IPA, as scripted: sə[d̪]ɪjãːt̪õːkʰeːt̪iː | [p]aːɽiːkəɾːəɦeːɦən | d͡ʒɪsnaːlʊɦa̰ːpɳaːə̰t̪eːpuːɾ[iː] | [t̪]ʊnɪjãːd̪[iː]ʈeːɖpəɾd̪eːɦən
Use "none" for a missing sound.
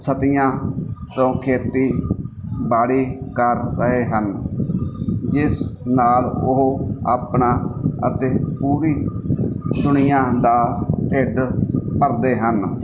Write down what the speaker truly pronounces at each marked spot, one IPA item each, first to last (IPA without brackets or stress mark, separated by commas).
t̪, b, iː, d̪, aː